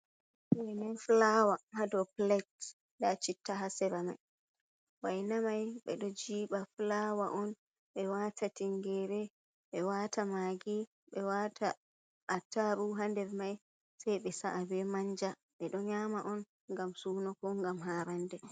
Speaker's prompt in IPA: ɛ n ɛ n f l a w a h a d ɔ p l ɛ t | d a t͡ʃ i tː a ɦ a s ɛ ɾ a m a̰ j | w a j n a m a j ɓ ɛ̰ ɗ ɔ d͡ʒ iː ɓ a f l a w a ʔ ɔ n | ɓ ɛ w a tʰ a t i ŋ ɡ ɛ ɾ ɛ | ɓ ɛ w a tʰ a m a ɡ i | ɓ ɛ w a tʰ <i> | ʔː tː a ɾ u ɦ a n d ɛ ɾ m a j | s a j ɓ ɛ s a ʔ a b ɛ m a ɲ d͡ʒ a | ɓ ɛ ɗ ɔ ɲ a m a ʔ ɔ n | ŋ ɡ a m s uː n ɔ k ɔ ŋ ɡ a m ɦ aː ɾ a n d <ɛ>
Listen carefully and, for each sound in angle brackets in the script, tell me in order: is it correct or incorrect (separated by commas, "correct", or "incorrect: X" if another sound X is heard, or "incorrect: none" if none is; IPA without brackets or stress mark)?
incorrect: a, correct